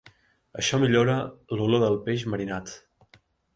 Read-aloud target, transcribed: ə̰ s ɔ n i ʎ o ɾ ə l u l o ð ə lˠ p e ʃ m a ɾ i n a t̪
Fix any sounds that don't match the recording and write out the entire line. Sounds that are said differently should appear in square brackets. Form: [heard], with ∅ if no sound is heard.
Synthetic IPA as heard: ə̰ [ʃ] ɔ [m] i ʎ o ɾ ə l u l o ð ə lˠ p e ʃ m [ə] ɾ i n a t̪